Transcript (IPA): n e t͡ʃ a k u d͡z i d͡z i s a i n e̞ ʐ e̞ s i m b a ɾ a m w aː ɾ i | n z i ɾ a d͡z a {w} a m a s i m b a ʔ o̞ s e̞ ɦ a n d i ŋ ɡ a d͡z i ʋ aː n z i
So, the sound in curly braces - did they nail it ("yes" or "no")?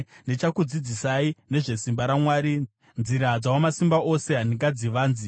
yes